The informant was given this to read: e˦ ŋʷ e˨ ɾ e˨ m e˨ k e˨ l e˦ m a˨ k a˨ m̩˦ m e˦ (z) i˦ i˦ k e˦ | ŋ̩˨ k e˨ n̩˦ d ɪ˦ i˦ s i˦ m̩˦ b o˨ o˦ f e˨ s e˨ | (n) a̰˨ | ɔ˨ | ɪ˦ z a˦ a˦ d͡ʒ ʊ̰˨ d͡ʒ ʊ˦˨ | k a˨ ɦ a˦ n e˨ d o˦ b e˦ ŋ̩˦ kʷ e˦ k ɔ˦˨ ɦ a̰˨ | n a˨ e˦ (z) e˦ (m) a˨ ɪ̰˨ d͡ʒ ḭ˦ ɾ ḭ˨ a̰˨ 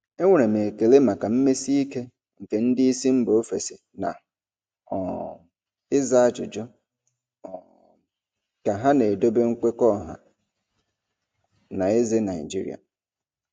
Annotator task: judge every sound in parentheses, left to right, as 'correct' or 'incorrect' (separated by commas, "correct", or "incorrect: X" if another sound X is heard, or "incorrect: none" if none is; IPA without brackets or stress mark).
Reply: incorrect: s, correct, correct, incorrect: n